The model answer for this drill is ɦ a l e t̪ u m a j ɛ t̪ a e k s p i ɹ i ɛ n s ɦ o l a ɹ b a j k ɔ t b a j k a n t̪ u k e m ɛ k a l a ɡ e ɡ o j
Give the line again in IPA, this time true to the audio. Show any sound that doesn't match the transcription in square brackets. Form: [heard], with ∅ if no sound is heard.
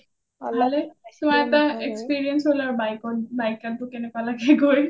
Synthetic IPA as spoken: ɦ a l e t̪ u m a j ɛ t̪ a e k s p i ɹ i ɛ n s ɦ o l a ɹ b a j k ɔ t b a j k a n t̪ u k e [n] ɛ k a l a ɡ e ɡ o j